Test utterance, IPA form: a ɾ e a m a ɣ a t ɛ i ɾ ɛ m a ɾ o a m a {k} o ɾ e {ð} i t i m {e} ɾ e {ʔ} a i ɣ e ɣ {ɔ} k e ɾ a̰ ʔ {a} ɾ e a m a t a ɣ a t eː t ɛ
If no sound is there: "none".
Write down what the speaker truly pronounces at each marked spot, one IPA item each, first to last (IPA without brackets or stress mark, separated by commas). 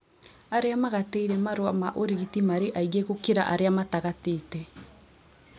ʔ, ɣ, a, ʔ, o, a